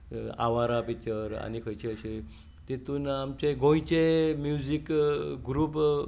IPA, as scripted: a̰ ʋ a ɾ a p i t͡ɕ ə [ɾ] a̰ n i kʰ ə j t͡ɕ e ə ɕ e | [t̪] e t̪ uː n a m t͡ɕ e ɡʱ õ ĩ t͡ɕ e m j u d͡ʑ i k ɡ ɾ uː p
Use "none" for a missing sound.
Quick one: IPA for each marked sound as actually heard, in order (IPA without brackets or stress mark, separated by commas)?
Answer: ɾ, t̪